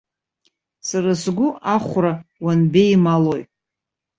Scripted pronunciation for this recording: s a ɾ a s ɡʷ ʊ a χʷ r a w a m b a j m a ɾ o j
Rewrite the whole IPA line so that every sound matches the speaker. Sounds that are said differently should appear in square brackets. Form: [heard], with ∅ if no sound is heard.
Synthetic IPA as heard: s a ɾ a s ɡʷ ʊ a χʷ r a w a [n] b [e] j m a [l] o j